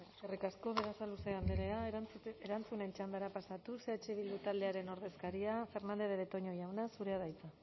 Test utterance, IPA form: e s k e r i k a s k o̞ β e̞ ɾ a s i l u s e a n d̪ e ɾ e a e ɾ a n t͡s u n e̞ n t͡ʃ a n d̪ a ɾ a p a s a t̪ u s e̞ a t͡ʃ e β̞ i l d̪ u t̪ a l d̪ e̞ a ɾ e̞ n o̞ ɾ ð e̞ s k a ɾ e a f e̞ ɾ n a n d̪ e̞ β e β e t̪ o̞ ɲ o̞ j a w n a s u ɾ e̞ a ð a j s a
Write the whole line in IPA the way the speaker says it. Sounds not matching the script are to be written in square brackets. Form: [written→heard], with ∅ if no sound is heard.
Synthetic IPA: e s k e r i k a s k o̞ β e̞ ɾ a s [i→a] l u s e a n d̪ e ɾ e a e ɾ a n t͡s u n e̞ n t͡ʃ a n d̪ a ɾ a p a s a t̪ u s e̞ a t͡ʃ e β̞ i l d̪ u t̪ a l d̪ e̞ a ɾ e̞ n o̞ ɾ ð e̞ s k a ɾ [e→i] a f e̞ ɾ n a n d̪ e̞ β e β e t̪ o̞ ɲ o̞ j a w n a s u ɾ e̞ a ð a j [s→t͡s] a